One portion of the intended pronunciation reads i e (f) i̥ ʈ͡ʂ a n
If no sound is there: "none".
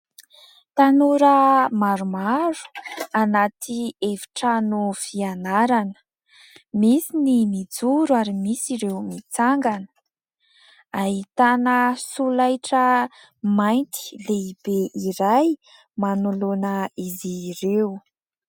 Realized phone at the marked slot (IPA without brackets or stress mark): v